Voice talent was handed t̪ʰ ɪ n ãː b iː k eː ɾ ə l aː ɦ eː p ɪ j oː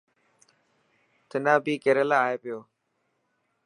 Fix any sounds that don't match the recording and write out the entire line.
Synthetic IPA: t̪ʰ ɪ n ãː b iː k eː ɾ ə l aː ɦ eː p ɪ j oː

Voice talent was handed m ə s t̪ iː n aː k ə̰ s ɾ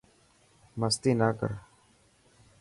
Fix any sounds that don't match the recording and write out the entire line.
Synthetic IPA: m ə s t̪ iː n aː k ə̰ ɾ

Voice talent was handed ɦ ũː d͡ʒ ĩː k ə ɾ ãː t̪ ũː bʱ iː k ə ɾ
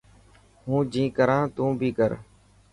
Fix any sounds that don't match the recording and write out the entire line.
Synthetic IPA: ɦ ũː d͡ʒ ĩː k ə ɾ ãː t̪ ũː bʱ iː k ə ɾ

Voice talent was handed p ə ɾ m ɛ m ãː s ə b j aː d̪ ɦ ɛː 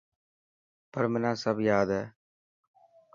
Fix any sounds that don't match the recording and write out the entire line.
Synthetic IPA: p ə ɾ m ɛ n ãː s ə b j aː d̪ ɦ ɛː

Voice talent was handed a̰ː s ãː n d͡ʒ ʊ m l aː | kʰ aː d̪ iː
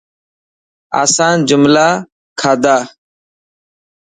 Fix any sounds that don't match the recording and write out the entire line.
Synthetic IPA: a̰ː s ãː n d͡ʒ ʊ m l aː | kʰ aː d̪ aː

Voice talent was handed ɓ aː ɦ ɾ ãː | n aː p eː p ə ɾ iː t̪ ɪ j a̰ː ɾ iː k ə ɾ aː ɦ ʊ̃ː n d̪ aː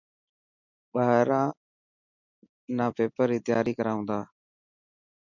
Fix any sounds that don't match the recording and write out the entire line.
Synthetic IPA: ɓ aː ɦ ɾ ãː | n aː p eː p ə ɾ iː t̪ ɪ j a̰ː ɾ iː k ə ɾ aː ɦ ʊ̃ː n d̪ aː

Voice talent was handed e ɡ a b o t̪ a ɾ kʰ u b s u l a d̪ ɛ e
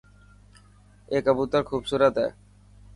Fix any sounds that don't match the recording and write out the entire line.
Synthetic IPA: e k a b u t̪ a ɾ kʰ u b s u ɾ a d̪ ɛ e

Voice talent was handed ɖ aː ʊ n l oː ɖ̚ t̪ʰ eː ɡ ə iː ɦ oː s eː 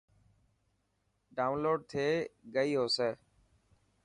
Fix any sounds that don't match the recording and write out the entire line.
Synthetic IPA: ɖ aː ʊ n l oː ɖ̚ t̪ʰ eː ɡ ə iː ɦ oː s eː

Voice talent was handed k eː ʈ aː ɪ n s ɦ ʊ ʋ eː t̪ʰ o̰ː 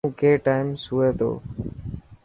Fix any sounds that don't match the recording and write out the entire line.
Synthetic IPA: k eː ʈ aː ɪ m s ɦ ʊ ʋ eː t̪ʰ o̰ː

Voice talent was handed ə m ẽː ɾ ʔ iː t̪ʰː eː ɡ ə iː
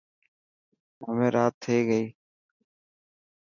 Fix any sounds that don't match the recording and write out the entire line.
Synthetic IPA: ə m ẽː ɾ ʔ aː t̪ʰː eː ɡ ə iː

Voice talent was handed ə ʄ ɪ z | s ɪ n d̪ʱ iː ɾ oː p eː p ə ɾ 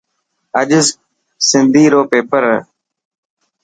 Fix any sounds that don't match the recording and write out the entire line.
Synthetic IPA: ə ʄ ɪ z | s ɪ n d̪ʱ iː ɾ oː p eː p ə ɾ

